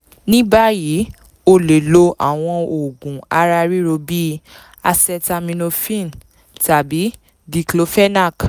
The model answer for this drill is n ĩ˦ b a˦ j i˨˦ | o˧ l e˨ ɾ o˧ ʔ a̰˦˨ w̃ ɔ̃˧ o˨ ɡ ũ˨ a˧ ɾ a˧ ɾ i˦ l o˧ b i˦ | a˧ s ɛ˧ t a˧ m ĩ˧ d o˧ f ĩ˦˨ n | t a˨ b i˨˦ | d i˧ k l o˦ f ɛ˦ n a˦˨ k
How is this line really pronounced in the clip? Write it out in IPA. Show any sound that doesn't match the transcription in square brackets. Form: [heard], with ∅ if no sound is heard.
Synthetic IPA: n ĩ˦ b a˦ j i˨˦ | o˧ l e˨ [l] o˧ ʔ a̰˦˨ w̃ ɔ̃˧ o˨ ɡ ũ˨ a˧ ɾ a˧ ɾ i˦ [ɾ] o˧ b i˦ | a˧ s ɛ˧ t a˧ m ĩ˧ [n] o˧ f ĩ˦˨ n | t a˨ b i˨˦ | d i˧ k l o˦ f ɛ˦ n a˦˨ k